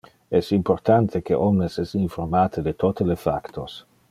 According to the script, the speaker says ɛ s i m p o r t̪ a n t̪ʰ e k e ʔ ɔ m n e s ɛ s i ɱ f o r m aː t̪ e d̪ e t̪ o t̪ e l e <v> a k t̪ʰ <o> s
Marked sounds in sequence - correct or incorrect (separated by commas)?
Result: incorrect, correct